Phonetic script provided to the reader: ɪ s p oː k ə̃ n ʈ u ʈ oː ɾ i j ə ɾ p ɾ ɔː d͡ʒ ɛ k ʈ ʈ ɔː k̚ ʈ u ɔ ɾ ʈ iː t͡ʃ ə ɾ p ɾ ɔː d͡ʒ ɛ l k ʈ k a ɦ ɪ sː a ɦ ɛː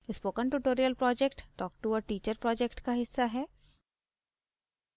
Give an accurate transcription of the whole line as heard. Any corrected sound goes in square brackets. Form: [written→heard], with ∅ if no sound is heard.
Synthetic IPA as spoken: ɪ s p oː k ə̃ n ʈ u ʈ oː ɾ i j ə [ɾ→l] p ɾ ɔː d͡ʒ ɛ k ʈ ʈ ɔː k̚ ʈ u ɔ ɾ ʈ iː t͡ʃ ə ɾ p ɾ ɔː d͡ʒ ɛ [l→∅] k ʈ k a ɦ ɪ sː a ɦ ɛː